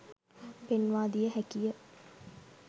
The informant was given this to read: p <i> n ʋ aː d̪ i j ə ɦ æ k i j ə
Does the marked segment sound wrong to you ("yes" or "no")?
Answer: yes